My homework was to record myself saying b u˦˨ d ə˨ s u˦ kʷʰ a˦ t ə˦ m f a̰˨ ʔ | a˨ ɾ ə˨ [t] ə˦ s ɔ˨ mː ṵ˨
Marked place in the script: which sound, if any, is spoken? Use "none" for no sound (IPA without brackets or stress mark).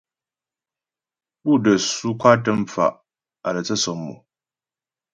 t͡s